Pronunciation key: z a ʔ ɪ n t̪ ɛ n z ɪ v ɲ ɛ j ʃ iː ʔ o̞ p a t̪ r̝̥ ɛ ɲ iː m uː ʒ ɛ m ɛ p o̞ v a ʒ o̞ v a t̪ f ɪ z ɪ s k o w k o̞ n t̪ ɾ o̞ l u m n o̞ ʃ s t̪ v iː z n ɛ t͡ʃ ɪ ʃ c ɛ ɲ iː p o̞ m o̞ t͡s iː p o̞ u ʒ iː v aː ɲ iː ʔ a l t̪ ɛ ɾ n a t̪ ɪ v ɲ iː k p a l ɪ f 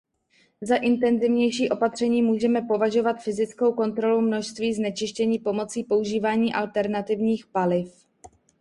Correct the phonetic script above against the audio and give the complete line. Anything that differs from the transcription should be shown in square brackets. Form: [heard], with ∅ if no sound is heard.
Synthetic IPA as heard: z a ʔ ɪ n t̪ ɛ n z ɪ v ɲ ɛ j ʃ iː ʔ o̞ p a t̪ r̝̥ ɛ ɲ iː m uː ʒ ɛ m ɛ p o̞ v a ʒ o̞ v a t̪ f ɪ z ɪ [t͡s] k o w k o̞ n t̪ ɾ o̞ l u m n o̞ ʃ s t̪ v iː z n ɛ t͡ʃ ɪ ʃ c ɛ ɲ iː p o̞ m o̞ t͡s iː p o̞ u ʒ iː v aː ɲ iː ʔ a l t̪ ɛ ɾ n a t̪ ɪ v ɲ iː [x] p a l ɪ f